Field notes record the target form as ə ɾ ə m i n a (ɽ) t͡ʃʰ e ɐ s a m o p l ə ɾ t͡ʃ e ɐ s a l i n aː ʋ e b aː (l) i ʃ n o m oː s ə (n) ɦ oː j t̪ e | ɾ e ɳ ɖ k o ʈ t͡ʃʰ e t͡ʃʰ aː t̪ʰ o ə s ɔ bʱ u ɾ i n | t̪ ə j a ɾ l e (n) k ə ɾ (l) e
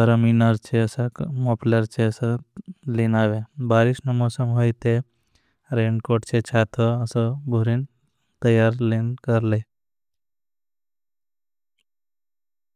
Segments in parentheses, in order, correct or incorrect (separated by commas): incorrect, incorrect, incorrect, correct, correct